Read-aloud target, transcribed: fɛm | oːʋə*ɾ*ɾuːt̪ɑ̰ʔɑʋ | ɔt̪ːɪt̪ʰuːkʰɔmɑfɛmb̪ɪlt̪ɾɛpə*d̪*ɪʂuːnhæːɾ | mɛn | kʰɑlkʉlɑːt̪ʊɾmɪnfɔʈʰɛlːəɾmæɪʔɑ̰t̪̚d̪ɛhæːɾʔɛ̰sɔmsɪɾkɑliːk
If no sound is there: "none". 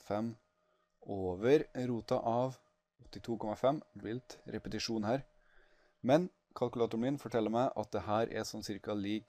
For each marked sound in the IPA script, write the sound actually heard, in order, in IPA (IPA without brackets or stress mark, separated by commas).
ɾ, t̪